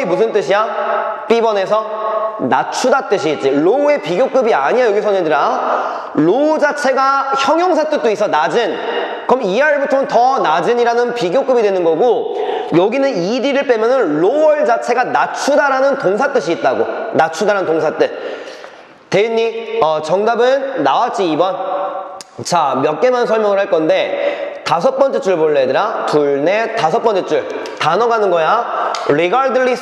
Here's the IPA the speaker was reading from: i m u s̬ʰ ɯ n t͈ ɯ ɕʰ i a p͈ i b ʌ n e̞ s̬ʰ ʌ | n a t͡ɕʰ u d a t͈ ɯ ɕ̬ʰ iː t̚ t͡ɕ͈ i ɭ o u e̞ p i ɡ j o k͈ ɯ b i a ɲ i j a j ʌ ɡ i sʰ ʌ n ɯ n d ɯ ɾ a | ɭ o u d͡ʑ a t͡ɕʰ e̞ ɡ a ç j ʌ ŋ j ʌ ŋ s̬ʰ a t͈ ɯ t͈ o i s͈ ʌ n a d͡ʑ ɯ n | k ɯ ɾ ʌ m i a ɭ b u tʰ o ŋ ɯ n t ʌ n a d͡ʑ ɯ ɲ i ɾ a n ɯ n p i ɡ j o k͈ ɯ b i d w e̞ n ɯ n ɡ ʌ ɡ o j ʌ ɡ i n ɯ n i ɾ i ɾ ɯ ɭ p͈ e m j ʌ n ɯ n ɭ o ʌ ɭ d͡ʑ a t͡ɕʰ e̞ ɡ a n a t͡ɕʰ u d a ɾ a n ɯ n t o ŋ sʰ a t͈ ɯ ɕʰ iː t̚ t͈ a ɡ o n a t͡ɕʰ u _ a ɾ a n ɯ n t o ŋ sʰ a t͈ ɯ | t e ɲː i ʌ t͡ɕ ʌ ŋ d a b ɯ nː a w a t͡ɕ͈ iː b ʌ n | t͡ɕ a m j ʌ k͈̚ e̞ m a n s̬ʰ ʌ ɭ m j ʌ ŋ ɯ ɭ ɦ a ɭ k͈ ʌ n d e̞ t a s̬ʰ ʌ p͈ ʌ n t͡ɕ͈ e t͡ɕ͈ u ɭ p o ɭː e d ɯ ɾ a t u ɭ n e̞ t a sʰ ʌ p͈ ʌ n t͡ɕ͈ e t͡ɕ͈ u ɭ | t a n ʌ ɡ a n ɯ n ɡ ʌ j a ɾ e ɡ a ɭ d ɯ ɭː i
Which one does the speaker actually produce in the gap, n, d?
d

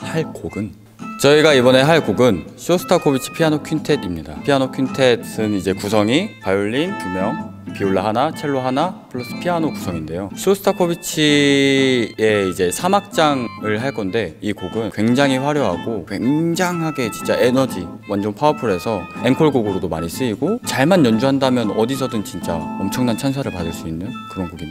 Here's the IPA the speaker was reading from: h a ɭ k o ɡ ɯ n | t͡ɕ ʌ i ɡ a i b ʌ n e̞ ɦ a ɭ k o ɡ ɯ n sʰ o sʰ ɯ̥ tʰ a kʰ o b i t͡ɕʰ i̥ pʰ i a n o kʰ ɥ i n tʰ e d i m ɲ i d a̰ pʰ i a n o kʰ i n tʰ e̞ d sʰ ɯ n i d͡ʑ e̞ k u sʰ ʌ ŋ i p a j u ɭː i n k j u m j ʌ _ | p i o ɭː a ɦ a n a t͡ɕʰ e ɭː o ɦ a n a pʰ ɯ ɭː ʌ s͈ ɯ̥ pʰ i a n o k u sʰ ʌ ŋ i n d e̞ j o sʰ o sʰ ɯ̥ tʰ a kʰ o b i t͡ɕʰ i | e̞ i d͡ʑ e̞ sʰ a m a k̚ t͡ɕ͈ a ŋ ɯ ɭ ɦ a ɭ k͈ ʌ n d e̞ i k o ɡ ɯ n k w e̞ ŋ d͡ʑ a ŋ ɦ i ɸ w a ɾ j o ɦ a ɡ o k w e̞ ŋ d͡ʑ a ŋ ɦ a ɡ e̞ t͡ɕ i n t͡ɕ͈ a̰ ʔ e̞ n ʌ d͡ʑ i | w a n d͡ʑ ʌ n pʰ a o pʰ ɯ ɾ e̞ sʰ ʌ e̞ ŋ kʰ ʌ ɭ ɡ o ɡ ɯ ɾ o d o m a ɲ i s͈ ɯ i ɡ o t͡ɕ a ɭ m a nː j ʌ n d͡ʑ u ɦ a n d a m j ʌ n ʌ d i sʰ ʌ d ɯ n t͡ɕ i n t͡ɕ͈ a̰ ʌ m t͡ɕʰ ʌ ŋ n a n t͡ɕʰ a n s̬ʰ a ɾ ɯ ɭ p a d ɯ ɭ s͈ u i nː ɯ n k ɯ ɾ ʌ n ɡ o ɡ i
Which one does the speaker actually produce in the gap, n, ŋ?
ŋ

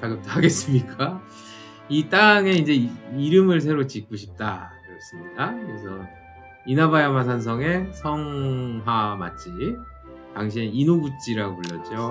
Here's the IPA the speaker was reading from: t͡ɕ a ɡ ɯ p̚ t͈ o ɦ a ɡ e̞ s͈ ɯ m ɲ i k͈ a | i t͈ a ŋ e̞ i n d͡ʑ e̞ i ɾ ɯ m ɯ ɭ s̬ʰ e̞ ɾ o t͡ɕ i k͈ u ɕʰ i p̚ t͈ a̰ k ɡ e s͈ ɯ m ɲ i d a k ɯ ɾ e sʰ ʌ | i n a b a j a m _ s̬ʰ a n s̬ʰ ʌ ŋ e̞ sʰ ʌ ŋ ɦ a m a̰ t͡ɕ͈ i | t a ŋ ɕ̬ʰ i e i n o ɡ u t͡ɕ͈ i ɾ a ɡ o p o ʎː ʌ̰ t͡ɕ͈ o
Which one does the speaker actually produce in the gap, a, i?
a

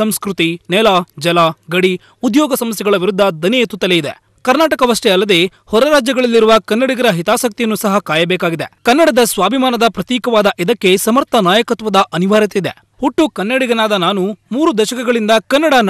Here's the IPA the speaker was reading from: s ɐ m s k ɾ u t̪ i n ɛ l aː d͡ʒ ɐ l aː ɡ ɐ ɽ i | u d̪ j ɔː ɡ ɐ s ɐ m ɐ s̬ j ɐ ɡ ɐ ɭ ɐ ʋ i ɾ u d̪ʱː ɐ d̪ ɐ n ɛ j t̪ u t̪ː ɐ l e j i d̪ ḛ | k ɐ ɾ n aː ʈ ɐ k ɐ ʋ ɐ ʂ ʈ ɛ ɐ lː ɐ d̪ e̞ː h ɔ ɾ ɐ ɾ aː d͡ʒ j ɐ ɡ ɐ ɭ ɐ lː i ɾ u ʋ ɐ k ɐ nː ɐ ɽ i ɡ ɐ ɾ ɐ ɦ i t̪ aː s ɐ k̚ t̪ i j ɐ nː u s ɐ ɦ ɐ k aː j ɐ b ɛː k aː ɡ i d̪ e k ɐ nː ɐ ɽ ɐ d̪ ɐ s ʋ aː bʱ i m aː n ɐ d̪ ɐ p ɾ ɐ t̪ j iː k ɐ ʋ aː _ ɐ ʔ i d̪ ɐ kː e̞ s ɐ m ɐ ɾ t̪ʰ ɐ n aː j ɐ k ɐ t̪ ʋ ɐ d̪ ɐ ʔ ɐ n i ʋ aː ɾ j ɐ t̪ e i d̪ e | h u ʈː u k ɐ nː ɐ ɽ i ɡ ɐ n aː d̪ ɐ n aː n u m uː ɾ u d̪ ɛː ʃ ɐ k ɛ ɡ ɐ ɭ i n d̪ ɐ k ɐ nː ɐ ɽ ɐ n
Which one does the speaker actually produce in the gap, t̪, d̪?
d̪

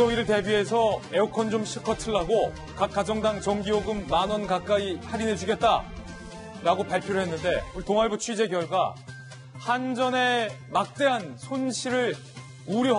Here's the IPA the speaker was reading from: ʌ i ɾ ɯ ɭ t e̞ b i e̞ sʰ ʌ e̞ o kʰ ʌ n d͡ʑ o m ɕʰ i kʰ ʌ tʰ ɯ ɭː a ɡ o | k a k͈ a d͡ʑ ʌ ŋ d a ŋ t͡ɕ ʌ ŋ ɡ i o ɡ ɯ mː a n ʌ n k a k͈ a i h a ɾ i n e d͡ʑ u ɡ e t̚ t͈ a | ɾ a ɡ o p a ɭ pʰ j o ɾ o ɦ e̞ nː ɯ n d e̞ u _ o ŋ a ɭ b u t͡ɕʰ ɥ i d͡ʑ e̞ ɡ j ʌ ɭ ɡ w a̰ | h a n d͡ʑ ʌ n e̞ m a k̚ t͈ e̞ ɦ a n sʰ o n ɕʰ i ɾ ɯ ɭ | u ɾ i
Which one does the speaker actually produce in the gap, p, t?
t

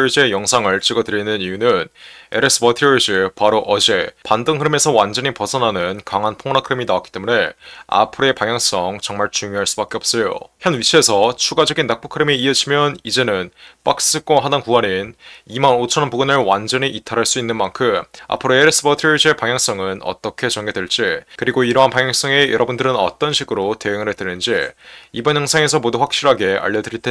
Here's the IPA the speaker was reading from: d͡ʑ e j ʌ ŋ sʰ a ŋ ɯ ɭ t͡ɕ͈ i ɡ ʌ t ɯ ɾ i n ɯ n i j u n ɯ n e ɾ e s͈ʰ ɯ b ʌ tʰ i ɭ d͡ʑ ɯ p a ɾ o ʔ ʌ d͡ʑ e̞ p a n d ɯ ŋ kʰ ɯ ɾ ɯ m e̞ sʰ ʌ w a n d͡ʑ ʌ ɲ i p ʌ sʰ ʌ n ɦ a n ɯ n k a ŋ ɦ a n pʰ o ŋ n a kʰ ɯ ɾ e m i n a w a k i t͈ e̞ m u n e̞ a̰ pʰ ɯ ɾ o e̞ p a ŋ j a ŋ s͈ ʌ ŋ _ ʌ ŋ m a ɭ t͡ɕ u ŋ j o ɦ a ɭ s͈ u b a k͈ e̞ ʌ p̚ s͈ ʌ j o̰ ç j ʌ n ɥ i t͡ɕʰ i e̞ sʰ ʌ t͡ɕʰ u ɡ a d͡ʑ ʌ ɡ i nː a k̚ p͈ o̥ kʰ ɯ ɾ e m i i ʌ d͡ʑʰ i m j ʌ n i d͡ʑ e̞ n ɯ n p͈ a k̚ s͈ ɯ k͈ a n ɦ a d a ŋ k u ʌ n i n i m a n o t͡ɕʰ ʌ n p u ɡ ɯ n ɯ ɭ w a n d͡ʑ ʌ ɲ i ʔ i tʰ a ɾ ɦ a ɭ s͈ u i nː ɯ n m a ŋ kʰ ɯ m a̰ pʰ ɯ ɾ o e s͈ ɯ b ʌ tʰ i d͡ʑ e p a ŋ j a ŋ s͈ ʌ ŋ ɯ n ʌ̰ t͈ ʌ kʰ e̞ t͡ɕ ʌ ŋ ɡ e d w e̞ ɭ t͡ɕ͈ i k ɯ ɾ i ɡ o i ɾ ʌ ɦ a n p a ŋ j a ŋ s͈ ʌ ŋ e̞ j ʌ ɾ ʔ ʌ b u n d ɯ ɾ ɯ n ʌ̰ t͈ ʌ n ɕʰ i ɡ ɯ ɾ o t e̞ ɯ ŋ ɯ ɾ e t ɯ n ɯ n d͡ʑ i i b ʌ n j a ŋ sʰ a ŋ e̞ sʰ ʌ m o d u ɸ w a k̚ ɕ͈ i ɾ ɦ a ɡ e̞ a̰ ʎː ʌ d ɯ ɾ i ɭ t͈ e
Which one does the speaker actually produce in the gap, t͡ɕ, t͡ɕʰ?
t͡ɕ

